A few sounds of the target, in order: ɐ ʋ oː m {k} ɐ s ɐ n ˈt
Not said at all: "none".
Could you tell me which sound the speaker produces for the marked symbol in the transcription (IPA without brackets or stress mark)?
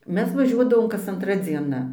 k